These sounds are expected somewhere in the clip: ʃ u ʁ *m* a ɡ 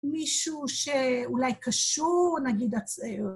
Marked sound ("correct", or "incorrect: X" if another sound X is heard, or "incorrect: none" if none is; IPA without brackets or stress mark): incorrect: n